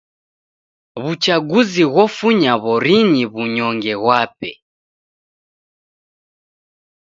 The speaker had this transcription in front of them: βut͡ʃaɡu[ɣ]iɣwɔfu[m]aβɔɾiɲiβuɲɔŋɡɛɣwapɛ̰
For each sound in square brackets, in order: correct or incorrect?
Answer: incorrect, incorrect

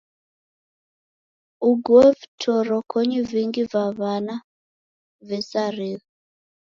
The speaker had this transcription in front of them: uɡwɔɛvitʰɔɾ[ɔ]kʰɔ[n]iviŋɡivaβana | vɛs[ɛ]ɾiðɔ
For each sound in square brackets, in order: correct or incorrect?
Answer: correct, incorrect, incorrect

